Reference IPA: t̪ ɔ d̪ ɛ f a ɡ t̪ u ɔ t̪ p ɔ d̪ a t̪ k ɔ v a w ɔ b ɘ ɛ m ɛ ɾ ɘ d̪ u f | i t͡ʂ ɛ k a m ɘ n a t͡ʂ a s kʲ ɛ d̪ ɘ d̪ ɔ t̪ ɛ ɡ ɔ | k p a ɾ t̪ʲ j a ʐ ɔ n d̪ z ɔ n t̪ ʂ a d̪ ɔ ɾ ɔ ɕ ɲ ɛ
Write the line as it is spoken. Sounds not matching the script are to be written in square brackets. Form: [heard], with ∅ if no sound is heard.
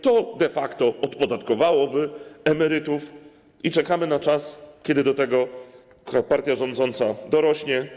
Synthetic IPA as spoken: t̪ ɔ d̪ ɛ f a [k] t̪ [ɔ] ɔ t̪ p ɔ d̪ a t̪ k ɔ v a w ɔ b ɘ ɛ m ɛ ɾ ɘ [t̪] u f | i t͡ʂ ɛ k a m ɘ n a t͡ʂ a s kʲ ɛ d̪ ɘ d̪ ɔ t̪ ɛ ɡ ɔ | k p a ɾ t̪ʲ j a ʐ ɔ n d̪ z ɔ n t̪ [s] a d̪ ɔ ɾ ɔ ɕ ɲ ɛ